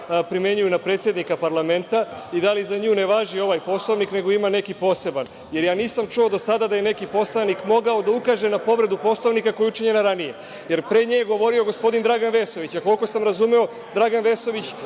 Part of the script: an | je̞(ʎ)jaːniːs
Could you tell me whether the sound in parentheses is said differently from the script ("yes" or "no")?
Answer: yes